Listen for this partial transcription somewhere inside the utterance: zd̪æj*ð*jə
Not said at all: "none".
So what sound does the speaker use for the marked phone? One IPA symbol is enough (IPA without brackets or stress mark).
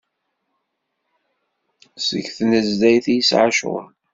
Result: θ